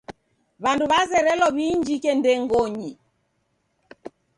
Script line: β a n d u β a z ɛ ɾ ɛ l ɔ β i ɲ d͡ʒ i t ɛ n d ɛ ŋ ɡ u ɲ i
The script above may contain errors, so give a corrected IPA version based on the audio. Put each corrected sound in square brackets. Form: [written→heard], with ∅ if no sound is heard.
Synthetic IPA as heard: β a n d u β a z ɛ ɾ ɛ l ɔ β i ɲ d͡ʒ i [t→k] ɛ n d ɛ ŋ ɡ [u→ɔ] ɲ i